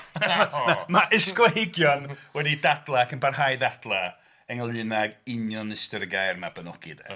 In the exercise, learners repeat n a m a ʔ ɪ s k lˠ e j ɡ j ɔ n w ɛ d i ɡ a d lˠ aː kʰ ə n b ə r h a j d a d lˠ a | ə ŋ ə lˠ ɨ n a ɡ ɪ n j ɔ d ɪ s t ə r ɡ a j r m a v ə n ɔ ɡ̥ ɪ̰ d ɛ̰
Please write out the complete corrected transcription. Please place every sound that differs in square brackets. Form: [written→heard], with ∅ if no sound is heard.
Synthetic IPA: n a m a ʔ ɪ s k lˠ e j ɡ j ɔ n w ɛ d i [ɡ→d] a d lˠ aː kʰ ə n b [ə→a] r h a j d a d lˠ a | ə ŋ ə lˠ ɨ n a ɡ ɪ n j ɔ [d→n] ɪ s t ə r ɡ a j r m a [v→b] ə n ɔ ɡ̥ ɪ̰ d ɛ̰